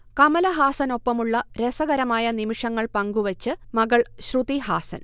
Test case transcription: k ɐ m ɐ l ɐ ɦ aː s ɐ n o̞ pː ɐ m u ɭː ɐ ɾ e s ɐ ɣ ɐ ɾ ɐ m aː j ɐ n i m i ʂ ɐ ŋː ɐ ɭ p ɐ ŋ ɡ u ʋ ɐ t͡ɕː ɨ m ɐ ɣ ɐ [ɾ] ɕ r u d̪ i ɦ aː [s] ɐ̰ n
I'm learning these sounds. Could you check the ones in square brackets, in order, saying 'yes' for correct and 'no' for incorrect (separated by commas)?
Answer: no, yes